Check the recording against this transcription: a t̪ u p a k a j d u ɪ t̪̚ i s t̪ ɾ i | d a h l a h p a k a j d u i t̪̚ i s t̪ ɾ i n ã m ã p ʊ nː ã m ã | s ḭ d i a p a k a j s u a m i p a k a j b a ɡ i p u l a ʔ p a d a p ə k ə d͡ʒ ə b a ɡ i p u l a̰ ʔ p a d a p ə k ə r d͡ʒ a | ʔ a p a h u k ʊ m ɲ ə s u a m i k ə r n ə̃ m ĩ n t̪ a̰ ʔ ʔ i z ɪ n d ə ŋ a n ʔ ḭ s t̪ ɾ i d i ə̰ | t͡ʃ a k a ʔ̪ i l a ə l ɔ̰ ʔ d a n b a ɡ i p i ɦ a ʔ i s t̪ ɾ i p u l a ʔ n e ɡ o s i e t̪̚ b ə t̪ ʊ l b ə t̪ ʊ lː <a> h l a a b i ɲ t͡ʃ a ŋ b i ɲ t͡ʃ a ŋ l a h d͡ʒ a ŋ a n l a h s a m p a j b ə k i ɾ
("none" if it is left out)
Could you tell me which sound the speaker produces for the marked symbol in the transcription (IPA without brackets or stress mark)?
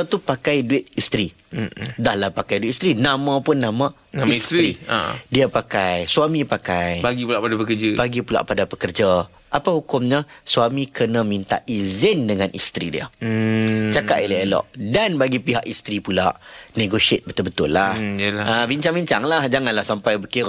a